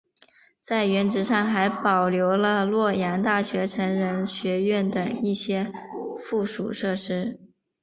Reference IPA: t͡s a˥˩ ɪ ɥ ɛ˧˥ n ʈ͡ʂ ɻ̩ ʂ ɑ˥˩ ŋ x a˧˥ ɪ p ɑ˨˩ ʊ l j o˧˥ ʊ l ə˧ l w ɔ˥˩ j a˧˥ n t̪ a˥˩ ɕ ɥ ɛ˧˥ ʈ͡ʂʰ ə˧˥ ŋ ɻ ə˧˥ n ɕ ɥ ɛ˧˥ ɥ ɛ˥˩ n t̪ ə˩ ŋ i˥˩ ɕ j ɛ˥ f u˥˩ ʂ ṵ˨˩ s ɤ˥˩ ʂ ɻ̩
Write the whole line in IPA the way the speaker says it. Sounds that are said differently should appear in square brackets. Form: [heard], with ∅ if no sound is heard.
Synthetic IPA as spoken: t͡s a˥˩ ɪ ɥ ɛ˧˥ n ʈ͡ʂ ɻ̩ ʂ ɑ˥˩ ŋ x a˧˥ ɪ p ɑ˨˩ ʊ l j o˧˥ ʊ l ə˧ l w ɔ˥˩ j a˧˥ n t̪ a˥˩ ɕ ɥ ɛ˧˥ ʈ͡ʂʰ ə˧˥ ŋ ɻ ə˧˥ n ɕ ɥ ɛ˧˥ ɥ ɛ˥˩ n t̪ ə˩ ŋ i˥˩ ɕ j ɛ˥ f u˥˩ ʂ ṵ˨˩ [ʂ] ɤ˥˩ ʂ ɻ̩